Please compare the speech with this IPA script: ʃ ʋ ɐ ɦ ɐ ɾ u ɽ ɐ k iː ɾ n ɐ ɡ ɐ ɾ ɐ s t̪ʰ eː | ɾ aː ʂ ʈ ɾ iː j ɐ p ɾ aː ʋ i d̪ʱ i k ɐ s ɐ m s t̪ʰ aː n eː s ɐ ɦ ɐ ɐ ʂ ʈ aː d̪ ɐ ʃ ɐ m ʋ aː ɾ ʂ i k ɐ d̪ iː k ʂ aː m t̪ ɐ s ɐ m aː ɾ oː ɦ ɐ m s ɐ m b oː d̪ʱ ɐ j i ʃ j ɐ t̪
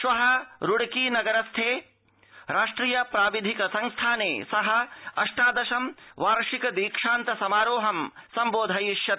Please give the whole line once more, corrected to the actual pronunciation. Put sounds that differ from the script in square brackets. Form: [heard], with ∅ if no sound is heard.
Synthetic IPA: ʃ ʋ ɐ ɦ ɐ ɾ u ɽ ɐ k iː [∅] n ɐ ɡ ɐ ɾ ɐ s t̪ʰ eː | ɾ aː ʂ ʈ ɾ iː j ɐ p ɾ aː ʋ i d̪ʱ i k ɐ s ɐ [ŋ] s t̪ʰ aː n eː s ɐ ɦ ɐ ɐ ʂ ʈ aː d̪ ɐ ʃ ɐ m ʋ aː ɾ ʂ i k ɐ d̪ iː k ʂ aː [n] t̪ ɐ s ɐ m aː ɾ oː ɦ ɐ m s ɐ m b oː d̪ʱ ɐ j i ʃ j ɐ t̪

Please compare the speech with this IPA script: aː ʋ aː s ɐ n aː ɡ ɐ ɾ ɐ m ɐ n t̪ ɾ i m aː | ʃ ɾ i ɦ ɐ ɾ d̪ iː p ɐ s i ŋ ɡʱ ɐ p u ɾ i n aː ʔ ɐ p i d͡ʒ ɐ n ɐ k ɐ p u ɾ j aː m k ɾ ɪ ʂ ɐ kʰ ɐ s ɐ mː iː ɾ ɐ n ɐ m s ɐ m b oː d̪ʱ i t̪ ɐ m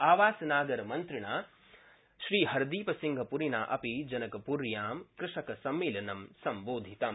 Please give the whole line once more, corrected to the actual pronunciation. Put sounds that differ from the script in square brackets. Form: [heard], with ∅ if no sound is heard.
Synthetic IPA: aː ʋ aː s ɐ n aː ɡ ɐ ɾ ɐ m ɐ n t̪ ɾ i [ɳ] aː | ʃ ɾ [iː] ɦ ɐ ɾ d̪ iː p ɐ s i ŋ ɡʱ ɐ p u ɾ i n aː ʔ ɐ p i d͡ʒ ɐ n ɐ k ɐ p u ɾ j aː m k ɾ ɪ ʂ ɐ [k] ɐ s ɐ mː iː [l] ɐ n ɐ m s ɐ m b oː d̪ʱ i t̪ ɐ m

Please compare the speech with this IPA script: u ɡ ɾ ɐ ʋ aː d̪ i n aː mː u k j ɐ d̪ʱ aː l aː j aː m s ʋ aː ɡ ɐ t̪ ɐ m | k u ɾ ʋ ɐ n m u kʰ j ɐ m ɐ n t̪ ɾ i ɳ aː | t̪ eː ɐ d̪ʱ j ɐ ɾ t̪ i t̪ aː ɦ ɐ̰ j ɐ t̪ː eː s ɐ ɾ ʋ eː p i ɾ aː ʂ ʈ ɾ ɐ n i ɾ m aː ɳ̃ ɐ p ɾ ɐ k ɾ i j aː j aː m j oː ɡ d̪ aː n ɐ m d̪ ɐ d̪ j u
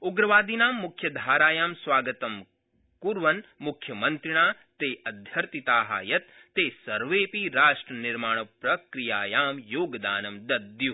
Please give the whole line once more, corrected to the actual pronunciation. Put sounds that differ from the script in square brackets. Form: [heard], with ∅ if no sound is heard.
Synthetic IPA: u ɡ ɾ ɐ ʋ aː d̪ i n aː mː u [kʰ] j ɐ d̪ʱ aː [ɾ] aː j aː m s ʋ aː ɡ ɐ t̪ ɐ m | k u ɾ ʋ ɐ n m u kʰ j ɐ m ɐ n t̪ ɾ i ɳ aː | t̪ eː ɐ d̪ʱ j ɐ ɾ t̪ i t̪ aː ɦ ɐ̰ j ɐ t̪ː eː s ɐ ɾ ʋ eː p i ɾ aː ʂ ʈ ɾ ɐ n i ɾ m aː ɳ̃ ɐ p ɾ ɐ k ɾ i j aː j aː m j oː ɡ d̪ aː n ɐ m d̪ ɐ d̪ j u

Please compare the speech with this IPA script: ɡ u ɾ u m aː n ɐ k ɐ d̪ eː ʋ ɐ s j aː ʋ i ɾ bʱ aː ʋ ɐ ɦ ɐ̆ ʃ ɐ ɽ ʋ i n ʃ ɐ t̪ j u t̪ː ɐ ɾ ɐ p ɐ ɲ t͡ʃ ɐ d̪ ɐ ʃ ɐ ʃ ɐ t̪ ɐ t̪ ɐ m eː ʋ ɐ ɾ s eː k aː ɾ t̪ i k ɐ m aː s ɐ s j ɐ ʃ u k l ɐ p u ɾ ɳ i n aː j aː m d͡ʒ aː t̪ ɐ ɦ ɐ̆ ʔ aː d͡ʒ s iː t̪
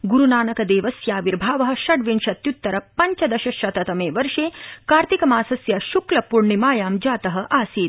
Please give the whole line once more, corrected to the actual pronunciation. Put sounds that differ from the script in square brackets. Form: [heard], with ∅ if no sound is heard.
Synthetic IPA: ɡ u ɾ u [n] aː n ɐ k ɐ d̪ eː ʋ ɐ s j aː ʋ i ɾ bʱ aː ʋ ɐ ɦ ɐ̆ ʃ ɐ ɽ ʋ i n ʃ ɐ t̪ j u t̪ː ɐ ɾ ɐ p ɐ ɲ t͡ʃ ɐ d̪ ɐ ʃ ɐ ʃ ɐ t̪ ɐ t̪ ɐ m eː ʋ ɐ ɾ [ʂ] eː k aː ɾ t̪ i k ɐ m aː s ɐ s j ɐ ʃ u k l ɐ p u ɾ ɳ i [m] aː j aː m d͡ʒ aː t̪ ɐ ɦ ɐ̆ ʔ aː [∅] s iː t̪

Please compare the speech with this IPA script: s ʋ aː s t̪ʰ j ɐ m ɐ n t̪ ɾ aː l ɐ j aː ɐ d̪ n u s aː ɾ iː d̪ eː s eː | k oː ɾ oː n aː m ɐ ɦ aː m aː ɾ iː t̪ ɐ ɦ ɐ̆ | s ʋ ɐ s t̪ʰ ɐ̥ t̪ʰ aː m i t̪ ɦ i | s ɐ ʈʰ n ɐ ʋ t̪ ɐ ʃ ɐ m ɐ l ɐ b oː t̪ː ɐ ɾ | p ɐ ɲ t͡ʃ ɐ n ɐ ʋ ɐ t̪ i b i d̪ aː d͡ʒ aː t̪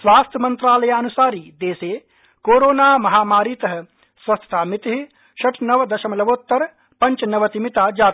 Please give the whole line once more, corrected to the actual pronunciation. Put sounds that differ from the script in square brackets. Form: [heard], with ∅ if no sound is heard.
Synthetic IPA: s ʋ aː s t̪ʰ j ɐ m ɐ n t̪ ɾ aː l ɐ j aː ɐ [∅] n u s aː ɾ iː d̪ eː s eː | k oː ɾ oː n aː m ɐ ɦ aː m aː ɾ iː t̪ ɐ ɦ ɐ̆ | s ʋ ɐ s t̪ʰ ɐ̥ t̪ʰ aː m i t̪ ɦ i | [ʃ] ɐ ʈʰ n ɐ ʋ [d̪] ɐ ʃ ɐ m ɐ l ɐ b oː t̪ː ɐ ɾ | p ɐ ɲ t͡ʃ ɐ n ɐ ʋ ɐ t̪ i [m] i [t̪] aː d͡ʒ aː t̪

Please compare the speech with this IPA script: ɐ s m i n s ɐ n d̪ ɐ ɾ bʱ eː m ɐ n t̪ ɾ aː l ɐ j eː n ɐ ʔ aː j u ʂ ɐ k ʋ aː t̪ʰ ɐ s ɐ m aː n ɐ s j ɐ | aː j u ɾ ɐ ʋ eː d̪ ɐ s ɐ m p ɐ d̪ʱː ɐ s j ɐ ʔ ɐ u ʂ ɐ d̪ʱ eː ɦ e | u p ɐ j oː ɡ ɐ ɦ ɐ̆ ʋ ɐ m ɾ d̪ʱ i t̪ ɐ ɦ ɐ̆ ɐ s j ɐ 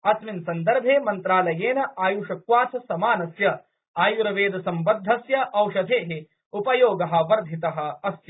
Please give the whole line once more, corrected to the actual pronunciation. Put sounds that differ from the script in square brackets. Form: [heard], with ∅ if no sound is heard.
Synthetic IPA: ɐ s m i n s ɐ n d̪ ɐ ɾ bʱ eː m ɐ n t̪ ɾ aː l ɐ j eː n ɐ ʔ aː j u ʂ ɐ k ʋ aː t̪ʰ ɐ s ɐ m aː n ɐ s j ɐ | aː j u ɾ ɐ ʋ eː d̪ ɐ s ɐ m [b] ɐ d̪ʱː ɐ s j ɐ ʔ ɐ [w] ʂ ɐ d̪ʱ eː ɦ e | u p ɐ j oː ɡ ɐ ɦ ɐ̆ ʋ ɐ [∅] ɾ d̪ʱ i t̪ ɐ ɦ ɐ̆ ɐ s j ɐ

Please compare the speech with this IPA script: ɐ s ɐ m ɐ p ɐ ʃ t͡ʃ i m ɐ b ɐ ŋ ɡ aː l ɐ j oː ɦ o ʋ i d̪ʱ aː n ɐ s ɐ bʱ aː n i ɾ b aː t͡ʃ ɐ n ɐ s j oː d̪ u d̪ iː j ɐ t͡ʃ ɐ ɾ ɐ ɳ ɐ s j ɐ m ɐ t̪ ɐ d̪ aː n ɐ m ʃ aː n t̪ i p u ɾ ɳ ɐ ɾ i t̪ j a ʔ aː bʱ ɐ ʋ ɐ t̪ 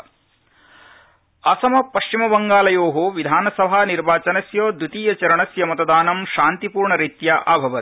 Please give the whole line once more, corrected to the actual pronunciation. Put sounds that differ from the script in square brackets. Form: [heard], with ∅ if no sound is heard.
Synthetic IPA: ɐ s ɐ m ɐ p ɐ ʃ t͡ʃ i m ɐ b ɐ ŋ ɡ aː l ɐ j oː ɦ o ʋ i d̪ʱ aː n ɐ s ɐ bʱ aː n i ɾ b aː t͡ʃ ɐ n ɐ s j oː d̪ u [t̪] iː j ɐ t͡ʃ ɐ ɾ ɐ ɳ ɐ s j ɐ m ɐ t̪ ɐ d̪ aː n ɐ m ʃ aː n t̪ i p [uː] ɾ ɳ ɐ ɾ i t̪ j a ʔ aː bʱ ɐ ʋ ɐ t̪

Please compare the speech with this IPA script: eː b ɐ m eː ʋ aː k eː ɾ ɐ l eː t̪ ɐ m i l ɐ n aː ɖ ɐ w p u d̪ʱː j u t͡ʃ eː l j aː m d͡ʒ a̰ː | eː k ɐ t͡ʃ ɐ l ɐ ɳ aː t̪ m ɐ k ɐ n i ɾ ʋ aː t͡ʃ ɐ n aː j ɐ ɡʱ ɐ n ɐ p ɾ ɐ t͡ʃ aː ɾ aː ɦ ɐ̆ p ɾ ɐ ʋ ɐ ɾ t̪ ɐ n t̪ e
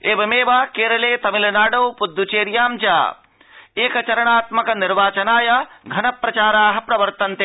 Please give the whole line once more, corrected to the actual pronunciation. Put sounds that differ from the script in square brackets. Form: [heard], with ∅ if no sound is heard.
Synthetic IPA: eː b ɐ m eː ʋ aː k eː ɾ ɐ l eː t̪ ɐ m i l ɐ n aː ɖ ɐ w p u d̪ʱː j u t͡ʃ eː [ɾ] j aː m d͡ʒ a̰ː | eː k ɐ t͡ʃ ɐ [ɾ] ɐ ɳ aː t̪ m ɐ k ɐ n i ɾ ʋ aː t͡ʃ ɐ n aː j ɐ ɡʱ ɐ n ɐ p ɾ ɐ t͡ʃ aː ɾ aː ɦ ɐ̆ p ɾ ɐ ʋ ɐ ɾ t̪ ɐ n t̪ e

